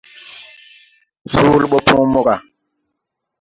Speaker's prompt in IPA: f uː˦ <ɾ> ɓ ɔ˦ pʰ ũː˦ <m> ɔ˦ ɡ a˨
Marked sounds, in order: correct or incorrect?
incorrect: l, correct

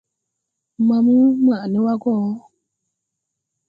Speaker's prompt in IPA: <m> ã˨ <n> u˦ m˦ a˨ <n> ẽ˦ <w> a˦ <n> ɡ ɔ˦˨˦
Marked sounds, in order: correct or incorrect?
correct, incorrect: m, correct, correct, incorrect: none

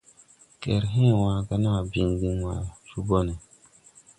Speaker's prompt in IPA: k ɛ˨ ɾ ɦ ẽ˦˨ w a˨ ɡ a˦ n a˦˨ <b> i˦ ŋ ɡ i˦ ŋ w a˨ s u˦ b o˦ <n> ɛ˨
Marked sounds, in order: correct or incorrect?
correct, correct

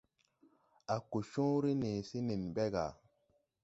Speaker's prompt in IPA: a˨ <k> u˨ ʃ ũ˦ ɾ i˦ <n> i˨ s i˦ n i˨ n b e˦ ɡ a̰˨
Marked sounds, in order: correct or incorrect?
correct, correct

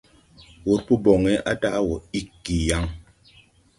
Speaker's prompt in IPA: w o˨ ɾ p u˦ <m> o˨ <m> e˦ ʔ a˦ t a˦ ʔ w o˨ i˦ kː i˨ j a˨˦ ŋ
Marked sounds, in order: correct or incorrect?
incorrect: b, incorrect: ŋ

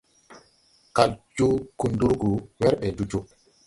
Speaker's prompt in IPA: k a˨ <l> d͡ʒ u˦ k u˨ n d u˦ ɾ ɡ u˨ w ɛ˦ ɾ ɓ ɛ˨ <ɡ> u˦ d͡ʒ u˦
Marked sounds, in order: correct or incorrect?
correct, incorrect: d

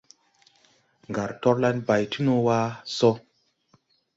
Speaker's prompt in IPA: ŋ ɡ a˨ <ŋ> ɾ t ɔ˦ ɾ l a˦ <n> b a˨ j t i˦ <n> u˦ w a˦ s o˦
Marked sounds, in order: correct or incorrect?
incorrect: none, correct, correct

